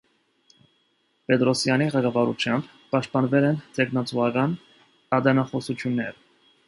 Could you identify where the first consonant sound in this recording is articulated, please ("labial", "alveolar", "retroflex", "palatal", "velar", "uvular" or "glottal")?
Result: labial